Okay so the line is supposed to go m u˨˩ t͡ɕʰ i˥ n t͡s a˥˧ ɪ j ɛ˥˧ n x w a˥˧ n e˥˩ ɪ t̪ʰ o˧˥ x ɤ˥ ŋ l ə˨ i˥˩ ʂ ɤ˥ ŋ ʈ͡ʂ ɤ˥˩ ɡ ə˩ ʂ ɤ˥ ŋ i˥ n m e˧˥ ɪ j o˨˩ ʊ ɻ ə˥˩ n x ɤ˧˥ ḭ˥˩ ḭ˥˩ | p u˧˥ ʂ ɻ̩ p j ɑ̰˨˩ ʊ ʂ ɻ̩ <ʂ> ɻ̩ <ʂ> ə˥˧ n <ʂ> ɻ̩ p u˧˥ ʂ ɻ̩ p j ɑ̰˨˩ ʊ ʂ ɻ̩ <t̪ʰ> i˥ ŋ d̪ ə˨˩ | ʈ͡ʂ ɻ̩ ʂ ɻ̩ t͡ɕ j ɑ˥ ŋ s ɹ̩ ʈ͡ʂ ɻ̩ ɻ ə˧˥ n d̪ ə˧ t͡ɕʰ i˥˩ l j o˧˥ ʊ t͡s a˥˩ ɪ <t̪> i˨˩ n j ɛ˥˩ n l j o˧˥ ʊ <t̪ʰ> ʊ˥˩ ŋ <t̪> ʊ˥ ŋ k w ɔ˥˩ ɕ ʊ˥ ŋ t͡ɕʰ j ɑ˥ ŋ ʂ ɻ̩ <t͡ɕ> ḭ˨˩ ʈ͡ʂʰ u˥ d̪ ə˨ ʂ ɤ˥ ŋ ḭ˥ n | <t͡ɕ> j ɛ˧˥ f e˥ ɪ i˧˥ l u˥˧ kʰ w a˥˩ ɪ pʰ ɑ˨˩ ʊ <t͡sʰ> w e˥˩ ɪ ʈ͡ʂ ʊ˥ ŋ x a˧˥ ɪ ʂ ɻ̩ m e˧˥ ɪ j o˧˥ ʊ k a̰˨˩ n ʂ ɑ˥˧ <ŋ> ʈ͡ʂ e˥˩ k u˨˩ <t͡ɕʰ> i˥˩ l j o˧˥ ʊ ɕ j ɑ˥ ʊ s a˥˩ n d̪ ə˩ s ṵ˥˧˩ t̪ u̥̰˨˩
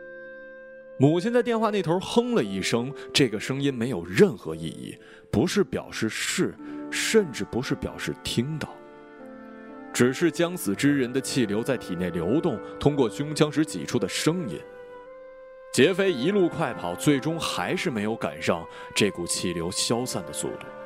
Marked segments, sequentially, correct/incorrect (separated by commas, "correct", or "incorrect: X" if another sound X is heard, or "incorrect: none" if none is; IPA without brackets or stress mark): correct, correct, incorrect: ʈ͡ʂ, correct, incorrect: t̪ʰ, incorrect: t̪, incorrect: t̪ʰ, correct, correct, incorrect: t͡s, correct, correct